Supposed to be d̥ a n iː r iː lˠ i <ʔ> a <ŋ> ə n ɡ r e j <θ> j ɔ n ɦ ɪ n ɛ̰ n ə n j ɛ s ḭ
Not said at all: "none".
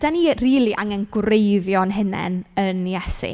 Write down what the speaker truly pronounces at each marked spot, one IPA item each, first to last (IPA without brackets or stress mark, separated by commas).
ʔ, ŋ, ð